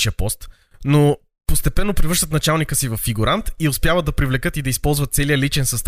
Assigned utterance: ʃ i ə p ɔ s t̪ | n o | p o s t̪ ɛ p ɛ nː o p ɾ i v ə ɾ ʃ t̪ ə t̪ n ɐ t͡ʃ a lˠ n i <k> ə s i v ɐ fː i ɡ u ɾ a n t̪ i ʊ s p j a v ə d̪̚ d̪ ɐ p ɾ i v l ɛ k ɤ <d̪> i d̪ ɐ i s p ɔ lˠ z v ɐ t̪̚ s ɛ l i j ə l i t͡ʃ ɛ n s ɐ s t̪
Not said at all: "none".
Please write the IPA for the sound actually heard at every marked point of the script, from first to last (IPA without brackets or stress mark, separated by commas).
k, t̪